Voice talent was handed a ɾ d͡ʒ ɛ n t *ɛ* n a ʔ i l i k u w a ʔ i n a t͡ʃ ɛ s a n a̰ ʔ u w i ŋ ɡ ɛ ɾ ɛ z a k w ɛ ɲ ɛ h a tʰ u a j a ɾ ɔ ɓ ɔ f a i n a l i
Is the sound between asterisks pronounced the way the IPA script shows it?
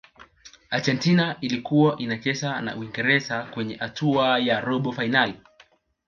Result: no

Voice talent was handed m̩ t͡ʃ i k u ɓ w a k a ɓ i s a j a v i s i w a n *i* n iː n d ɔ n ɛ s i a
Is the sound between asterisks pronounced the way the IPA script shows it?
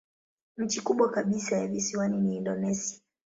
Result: yes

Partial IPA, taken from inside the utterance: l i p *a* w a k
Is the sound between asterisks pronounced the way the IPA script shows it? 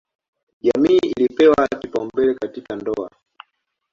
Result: no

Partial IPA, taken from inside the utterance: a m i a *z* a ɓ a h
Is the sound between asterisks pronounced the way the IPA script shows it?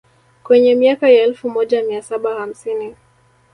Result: no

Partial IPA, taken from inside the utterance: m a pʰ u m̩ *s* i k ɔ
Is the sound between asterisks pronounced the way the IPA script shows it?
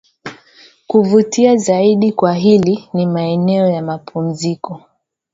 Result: no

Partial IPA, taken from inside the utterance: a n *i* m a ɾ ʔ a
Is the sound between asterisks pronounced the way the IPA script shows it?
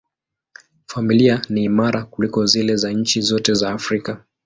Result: no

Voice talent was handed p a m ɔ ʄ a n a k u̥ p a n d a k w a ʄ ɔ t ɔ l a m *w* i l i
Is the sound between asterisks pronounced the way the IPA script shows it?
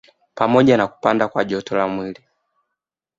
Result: yes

